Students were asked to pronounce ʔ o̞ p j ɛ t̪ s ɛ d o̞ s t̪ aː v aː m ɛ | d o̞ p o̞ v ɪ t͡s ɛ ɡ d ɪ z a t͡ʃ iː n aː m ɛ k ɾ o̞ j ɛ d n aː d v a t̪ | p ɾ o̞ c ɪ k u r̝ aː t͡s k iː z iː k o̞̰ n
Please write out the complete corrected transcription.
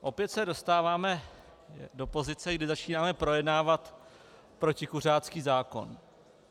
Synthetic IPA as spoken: ʔ o̞ p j ɛ t̪ s ɛ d o̞ s t̪ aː v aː m ɛ | d o̞ p o̞ z ɪ t͡s ɛ ɡ d ɪ z a t͡ʃ iː n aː m ɛ p ɾ o̞ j ɛ d n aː v a t̪ | p ɾ o̞ c ɪ k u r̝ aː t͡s k iː z aː k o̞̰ n